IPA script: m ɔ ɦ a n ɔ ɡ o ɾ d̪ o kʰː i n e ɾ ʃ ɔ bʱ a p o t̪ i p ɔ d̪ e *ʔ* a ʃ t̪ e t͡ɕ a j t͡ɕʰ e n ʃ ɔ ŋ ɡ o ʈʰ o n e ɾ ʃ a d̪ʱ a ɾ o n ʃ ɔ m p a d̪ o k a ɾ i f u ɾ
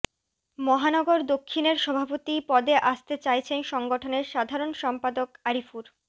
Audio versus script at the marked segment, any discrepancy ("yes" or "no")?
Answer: no